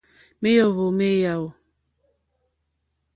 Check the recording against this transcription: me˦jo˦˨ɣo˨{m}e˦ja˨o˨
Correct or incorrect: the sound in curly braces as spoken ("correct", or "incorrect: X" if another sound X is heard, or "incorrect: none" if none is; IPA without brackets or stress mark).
correct